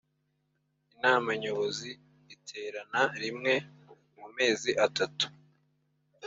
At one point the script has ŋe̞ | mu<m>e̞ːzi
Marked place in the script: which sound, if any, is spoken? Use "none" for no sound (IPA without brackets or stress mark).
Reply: m